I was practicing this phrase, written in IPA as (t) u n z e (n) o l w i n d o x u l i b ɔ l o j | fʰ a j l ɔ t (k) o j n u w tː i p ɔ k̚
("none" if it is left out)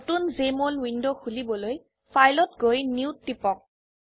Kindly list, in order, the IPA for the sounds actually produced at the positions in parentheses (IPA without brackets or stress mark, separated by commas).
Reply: t, m, ɡ